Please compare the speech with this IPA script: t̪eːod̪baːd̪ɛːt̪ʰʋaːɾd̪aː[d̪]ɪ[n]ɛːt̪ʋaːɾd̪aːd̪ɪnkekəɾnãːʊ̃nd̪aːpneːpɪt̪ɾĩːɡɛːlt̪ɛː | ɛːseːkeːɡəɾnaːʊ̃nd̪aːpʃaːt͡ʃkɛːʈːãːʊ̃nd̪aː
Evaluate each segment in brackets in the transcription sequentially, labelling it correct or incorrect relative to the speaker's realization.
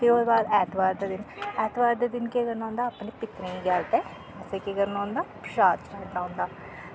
correct, correct

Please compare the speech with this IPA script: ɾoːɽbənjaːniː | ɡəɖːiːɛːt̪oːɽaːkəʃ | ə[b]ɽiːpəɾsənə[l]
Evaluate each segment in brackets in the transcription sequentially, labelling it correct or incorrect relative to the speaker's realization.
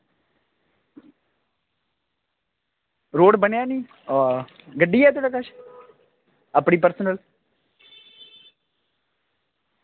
incorrect: p, correct

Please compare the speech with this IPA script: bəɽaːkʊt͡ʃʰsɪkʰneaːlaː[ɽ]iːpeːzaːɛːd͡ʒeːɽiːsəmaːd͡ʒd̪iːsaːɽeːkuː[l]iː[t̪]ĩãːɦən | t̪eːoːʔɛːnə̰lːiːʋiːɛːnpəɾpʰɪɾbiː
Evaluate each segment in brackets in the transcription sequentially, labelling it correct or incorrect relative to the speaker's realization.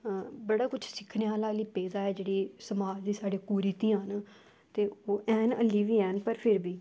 incorrect: l, incorrect: ɾ, correct

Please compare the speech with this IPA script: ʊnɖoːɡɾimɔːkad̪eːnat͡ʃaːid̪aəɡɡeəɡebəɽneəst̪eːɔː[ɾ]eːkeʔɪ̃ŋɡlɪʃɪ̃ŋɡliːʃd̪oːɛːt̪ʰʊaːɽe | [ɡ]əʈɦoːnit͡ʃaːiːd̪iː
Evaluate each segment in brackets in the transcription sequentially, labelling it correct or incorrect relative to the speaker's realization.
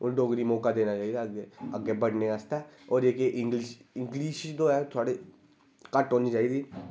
correct, incorrect: k

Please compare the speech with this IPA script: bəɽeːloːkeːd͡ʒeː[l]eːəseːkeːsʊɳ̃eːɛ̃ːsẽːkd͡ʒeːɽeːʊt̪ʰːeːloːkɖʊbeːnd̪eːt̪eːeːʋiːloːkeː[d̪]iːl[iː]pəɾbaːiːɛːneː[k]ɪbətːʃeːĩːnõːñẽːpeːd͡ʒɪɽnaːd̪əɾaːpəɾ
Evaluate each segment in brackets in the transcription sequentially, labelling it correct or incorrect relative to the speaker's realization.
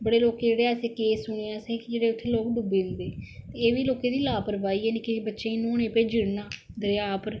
incorrect: ɽ, correct, incorrect: aː, correct

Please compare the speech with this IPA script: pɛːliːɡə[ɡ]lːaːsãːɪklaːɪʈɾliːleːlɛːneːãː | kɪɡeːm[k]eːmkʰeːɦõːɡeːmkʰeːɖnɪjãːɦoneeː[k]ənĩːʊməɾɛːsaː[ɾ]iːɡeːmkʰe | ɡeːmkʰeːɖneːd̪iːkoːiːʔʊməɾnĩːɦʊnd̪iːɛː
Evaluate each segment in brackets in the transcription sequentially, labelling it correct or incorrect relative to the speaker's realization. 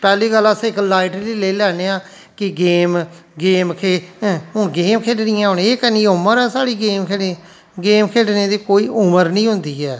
incorrect: none, incorrect: ɡ, correct, incorrect: ɽ

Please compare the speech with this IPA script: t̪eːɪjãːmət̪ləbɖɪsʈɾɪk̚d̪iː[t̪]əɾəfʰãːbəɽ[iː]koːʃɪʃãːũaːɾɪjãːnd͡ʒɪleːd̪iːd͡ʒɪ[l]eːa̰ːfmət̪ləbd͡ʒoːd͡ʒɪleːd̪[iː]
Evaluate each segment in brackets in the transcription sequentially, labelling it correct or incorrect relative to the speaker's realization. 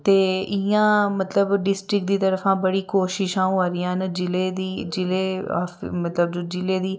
correct, correct, correct, correct

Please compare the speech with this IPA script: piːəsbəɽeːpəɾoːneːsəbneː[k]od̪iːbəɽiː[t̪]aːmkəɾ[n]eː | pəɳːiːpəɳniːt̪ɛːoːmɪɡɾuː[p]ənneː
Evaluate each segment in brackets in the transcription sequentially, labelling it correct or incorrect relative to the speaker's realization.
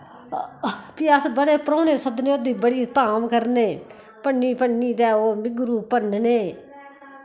incorrect: none, correct, correct, correct

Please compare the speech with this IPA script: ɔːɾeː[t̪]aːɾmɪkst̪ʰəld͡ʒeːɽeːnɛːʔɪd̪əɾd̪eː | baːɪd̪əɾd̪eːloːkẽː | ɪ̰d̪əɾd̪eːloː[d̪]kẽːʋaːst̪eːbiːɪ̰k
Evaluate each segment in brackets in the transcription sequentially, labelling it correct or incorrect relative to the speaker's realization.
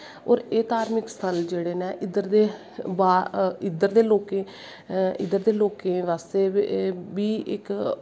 correct, incorrect: none

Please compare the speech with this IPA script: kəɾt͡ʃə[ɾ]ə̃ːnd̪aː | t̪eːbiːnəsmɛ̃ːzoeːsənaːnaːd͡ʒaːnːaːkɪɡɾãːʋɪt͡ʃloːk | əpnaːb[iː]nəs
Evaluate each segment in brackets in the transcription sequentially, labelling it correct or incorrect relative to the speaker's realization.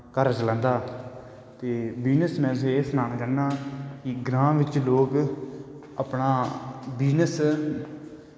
incorrect: l, correct

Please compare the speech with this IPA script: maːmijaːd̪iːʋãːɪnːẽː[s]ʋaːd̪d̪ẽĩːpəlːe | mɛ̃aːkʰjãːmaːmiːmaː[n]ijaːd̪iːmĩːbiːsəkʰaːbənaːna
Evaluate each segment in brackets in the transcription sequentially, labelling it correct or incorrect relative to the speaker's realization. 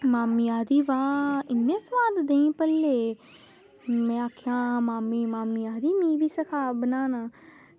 correct, incorrect: m

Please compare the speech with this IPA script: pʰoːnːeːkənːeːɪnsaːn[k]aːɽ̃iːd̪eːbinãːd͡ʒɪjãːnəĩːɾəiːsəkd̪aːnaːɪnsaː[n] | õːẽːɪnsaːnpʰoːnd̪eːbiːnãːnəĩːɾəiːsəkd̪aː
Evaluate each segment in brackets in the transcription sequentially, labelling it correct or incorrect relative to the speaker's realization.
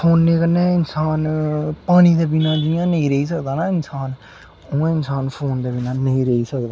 incorrect: p, correct

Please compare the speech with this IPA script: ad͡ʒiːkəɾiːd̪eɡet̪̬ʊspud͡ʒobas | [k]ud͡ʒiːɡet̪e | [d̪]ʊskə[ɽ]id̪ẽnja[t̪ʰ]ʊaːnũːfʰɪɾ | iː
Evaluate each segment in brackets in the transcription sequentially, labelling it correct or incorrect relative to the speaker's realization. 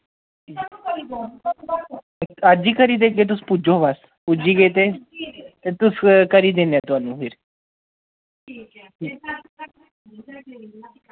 incorrect: p, incorrect: t̪, incorrect: ɾ, incorrect: t̪

